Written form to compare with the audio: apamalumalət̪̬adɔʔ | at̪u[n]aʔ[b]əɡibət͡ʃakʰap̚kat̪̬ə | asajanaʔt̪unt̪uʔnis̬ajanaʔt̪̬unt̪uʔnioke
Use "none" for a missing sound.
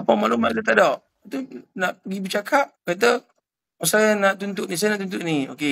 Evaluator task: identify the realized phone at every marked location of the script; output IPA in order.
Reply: n, p

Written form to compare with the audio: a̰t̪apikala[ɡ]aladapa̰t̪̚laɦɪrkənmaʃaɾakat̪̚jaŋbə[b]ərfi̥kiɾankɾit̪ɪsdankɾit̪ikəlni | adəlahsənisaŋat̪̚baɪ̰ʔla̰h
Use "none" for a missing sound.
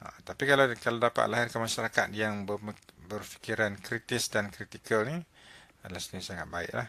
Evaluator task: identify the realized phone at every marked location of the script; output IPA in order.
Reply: k, b

